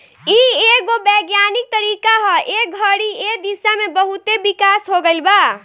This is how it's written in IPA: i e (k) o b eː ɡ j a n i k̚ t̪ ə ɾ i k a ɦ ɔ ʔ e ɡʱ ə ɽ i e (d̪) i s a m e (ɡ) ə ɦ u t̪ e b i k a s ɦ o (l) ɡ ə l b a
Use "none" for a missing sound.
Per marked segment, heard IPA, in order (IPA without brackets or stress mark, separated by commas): ɡ, d̪, b, none